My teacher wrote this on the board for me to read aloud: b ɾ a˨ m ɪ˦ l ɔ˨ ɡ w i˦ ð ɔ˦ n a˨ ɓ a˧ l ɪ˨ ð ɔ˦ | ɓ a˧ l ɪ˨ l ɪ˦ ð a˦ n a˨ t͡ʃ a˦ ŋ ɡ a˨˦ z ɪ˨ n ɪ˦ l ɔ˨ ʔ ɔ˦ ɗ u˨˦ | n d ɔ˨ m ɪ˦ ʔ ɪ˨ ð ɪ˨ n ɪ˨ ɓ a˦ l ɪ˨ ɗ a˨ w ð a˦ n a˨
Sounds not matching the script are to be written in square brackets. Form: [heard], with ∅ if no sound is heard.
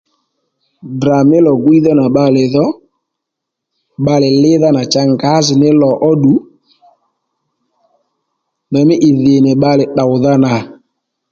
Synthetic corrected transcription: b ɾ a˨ m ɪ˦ l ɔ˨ ɡ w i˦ ð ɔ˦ n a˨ ɓ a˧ l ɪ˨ ð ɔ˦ | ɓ a˧ l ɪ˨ l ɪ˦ ð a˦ n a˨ t͡ʃ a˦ ŋ ɡ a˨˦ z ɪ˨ n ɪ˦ l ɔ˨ ʔ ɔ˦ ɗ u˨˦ | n d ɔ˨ m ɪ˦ ʔ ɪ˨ ð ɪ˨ n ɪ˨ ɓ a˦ l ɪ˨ ɗ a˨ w ð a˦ n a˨